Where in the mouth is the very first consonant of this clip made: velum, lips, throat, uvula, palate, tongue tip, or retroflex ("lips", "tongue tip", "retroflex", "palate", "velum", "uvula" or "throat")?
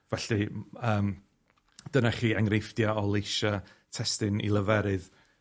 lips